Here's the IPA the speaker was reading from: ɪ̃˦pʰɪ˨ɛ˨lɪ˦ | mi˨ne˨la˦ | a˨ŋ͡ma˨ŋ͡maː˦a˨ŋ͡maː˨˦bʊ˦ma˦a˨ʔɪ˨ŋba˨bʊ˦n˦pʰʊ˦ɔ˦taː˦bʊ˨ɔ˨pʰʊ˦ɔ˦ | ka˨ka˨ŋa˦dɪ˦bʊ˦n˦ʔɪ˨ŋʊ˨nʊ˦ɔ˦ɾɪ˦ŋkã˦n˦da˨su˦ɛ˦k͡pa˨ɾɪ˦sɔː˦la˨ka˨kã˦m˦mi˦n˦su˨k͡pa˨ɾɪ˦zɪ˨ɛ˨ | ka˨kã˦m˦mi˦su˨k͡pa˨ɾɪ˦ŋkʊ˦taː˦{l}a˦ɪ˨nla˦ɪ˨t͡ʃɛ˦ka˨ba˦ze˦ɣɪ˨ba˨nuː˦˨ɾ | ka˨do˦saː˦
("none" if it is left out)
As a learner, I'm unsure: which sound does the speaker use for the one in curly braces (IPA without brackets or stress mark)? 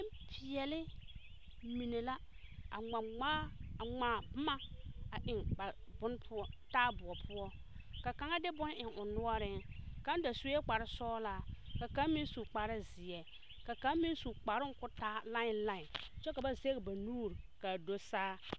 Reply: l